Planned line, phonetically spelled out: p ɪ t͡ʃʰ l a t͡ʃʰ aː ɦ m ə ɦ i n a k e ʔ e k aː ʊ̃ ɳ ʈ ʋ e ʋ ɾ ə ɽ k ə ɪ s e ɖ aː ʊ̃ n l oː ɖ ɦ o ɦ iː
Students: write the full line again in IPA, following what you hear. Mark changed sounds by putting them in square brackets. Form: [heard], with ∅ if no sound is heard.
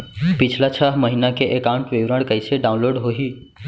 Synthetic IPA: p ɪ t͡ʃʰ l a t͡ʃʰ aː ɦ m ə ɦ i n a k e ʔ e k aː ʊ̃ ɳ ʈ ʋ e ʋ ɾ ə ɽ k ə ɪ s e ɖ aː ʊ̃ n l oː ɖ ɦ o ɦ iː